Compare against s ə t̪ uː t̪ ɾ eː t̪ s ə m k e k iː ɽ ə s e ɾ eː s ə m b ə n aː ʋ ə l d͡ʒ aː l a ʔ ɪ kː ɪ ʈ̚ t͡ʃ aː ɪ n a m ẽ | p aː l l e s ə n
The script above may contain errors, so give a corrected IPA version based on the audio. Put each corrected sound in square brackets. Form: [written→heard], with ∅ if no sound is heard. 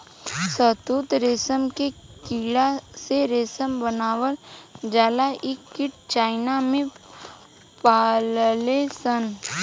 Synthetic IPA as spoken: s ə t̪ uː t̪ ɾ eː [t̪→∅] s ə m k e k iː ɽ [ə→a] s e ɾ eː s ə m b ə n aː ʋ ə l d͡ʒ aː l a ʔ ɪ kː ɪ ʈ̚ t͡ʃ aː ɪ n a m ẽ | p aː l l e s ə n